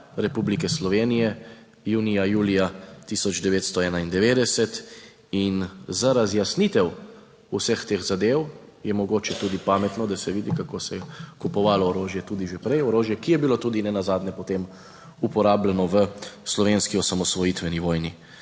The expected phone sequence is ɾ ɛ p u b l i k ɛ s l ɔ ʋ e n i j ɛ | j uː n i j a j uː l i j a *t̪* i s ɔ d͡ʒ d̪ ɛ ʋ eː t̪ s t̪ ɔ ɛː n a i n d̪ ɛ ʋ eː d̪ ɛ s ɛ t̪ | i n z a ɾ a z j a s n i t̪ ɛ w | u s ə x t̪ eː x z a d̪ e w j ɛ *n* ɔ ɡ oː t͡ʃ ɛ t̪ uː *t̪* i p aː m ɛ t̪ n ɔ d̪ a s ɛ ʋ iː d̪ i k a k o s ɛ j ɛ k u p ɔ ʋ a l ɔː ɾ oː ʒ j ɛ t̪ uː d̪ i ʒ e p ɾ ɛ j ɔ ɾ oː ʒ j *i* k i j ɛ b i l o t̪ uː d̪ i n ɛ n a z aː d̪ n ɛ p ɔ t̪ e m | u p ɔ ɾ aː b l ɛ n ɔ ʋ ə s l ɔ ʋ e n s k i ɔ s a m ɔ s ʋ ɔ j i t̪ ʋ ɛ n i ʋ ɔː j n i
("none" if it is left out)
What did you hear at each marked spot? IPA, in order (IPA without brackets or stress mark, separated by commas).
t̪, m, d̪, ɛ